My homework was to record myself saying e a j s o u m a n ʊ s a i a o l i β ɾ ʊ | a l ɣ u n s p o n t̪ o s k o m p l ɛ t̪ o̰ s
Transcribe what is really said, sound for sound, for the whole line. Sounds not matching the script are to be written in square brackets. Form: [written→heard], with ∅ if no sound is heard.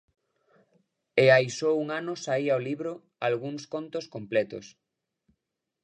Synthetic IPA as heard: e a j s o u [m→ŋ] a n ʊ s a i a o l i β ɾ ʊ | a l ɣ u [n→ŋ] s [p→k] o n t̪ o s k o m p l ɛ t̪ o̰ s